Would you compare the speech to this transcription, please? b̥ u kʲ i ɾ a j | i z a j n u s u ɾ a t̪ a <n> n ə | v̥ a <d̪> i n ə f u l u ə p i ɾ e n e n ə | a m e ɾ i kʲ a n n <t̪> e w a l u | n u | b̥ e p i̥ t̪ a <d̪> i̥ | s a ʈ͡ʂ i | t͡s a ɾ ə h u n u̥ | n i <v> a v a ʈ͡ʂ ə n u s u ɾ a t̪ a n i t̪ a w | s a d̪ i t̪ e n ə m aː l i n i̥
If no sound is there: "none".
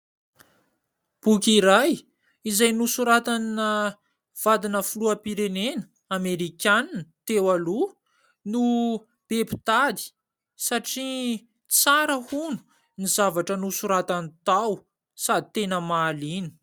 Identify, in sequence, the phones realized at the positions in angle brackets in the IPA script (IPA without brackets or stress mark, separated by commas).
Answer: n, d̪, t̪, d̪, z